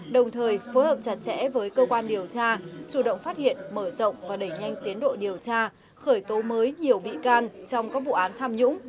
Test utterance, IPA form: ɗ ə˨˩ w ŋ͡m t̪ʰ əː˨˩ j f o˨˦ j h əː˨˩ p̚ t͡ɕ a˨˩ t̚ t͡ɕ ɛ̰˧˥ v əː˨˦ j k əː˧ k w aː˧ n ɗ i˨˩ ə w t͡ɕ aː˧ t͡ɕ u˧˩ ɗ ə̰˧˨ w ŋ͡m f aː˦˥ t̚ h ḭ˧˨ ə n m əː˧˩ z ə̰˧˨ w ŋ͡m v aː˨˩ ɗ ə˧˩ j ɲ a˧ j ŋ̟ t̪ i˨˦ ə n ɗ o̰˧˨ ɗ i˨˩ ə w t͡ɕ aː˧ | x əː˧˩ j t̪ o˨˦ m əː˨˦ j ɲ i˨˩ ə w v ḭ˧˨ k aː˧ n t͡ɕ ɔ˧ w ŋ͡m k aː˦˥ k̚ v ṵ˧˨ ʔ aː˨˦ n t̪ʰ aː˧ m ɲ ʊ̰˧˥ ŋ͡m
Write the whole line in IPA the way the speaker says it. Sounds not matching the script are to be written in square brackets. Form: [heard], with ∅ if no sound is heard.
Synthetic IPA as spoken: ɗ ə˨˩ w ŋ͡m t̪ʰ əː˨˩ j f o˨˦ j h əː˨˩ p̚ t͡ɕ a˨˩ t̚ t͡ɕ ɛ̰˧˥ v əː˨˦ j k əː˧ k w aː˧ n ɗ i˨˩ ə w t͡ɕ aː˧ t͡ɕ u˧˩ ɗ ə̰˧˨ w ŋ͡m f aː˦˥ t̚ h ḭ˧˨ ə n m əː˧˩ z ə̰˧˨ w ŋ͡m v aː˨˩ ɗ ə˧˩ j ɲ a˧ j ŋ̟ t̪ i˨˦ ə n ɗ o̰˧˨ ɗ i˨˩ ə w t͡ɕ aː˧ | x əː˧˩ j t̪ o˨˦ m əː˨˦ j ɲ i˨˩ ə w v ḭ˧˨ k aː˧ n t͡ɕ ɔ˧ w ŋ͡m k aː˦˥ k̚ v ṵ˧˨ ʔ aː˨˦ n t̪ʰ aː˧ m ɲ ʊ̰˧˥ ŋ͡m